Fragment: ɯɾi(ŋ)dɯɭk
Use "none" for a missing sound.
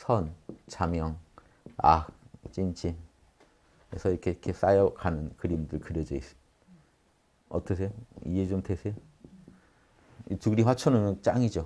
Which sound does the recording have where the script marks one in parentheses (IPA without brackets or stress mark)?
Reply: m